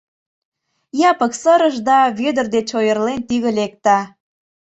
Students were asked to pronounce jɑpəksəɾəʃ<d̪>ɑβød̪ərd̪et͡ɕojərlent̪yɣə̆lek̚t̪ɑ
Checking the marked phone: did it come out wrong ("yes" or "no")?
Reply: no